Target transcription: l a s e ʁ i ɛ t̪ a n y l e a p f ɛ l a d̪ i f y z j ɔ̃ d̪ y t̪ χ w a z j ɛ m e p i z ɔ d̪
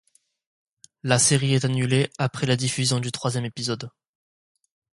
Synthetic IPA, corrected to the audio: l a s e ʁ i ɛ t̪ a n y l e a p χ ɛ l a d̪ i f y z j ɔ̃ d̪ y t̪ χ w a z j ɛ m e p i z ɔ d̪